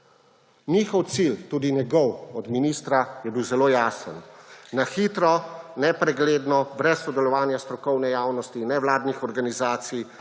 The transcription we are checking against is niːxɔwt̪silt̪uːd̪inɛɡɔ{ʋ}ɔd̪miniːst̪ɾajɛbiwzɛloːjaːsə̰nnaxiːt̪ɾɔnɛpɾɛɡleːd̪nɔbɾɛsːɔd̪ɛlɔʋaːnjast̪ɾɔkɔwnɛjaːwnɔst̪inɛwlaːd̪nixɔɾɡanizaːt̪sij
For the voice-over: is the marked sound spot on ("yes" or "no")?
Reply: no